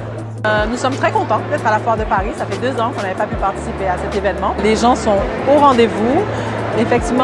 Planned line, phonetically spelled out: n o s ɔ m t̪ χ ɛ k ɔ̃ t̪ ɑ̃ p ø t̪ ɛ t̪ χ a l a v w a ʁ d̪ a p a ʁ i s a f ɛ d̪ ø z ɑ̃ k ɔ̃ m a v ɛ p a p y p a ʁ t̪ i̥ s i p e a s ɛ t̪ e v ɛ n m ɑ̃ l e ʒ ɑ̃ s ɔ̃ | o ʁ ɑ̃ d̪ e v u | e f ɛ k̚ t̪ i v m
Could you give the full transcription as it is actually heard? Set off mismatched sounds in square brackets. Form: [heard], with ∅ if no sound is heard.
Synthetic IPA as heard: n [u] s ɔ m t̪ χ ɛ k ɔ̃ t̪ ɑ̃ p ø t̪ ɛ t̪ χ a l a [f] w a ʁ d̪ [ə] p a ʁ i s a f ɛ d̪ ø z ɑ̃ k ɔ̃ [n] a v ɛ p a p y p a ʁ t̪ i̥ s i p e a s ɛ t̪ e v ɛ n m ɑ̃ l e ʒ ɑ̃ s ɔ̃ | o ʁ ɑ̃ d̪ e v u | e f ɛ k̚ t̪ i v m

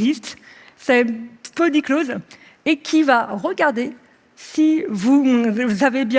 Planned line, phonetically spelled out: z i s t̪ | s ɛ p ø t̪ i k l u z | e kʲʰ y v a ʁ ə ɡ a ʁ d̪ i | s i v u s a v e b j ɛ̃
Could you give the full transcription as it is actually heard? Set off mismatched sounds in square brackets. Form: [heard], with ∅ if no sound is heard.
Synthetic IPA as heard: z i s t̪ | s ɛ p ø [d̪] i k l [o] z | e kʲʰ [i] v a ʁ ə ɡ a ʁ d̪ [e] | s i v u [z] a v e b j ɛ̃

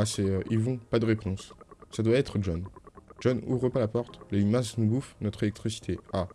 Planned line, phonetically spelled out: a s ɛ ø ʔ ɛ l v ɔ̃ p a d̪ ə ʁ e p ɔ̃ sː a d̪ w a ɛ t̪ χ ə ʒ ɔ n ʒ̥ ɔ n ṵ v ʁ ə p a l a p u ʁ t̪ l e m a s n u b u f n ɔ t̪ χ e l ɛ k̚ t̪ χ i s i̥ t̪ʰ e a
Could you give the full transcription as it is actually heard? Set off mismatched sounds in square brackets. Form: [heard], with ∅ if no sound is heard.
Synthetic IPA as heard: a s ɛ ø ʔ [i] l v ɔ̃ p a d̪ ə ʁ e p ɔ̃ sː a d̪ w a ɛ t̪ χ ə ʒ ɔ n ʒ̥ ɔ n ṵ v ʁ ə p a l a p [ɔ] ʁ t̪ l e m a s n u b u f n ɔ t̪ χ e l ɛ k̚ t̪ χ i s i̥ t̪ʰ e a

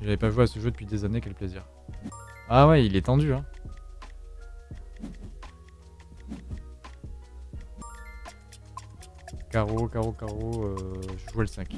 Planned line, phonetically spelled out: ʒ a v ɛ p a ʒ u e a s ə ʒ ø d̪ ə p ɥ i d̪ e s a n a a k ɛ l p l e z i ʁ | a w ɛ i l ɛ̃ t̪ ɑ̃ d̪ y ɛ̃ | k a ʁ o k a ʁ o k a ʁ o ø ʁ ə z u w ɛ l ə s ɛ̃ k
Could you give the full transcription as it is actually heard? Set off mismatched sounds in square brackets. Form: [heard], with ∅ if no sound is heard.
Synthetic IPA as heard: ʒ a v ɛ p a ʒ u e a s ə ʒ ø d̪ ə p ɥ i d̪ e [z] a n [e] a k ɛ l p l e z i ʁ | a w ɛ i l [ɛ] t̪ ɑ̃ d̪ y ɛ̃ | k a ʁ o k a ʁ o k a ʁ o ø [ʒ] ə [ʒ] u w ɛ l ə s ɛ̃ k

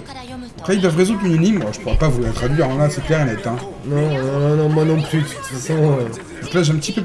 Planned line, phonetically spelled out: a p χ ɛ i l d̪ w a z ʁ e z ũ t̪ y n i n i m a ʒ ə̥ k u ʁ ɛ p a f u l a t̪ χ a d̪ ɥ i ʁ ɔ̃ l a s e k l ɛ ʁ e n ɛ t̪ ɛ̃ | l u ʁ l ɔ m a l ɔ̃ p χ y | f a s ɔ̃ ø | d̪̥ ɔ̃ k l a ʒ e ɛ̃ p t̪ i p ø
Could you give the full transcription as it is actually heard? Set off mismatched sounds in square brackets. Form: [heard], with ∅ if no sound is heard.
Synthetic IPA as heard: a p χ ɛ i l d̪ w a [v] ʁ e z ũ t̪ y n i n i m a ʒ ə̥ [p] u ʁ ɛ p a [v] u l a t̪ χ a d̪ ɥ i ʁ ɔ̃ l a s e k l ɛ ʁ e n ɛ t̪ ɛ̃ | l [ɔ] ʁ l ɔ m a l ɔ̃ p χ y | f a s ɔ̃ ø | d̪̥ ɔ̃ k l a ʒ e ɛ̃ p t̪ i p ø

